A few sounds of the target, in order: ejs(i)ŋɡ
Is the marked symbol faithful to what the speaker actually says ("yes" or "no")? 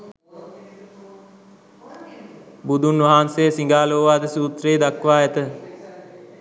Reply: yes